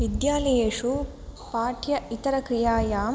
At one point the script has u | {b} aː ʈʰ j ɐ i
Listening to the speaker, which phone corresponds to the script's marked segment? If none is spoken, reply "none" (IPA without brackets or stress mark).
p